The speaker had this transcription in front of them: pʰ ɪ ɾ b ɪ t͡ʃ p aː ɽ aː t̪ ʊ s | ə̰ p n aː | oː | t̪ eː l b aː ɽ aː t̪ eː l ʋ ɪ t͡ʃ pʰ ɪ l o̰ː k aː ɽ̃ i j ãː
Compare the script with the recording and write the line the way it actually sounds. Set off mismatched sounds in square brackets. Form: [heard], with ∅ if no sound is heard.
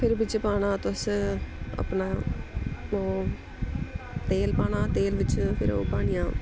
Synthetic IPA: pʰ ɪ ɾ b ɪ t͡ʃ p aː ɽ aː t̪ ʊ s | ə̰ p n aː | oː | t̪ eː l [p] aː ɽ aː t̪ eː l ʋ ɪ t͡ʃ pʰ ɪ [ɾ] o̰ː [p] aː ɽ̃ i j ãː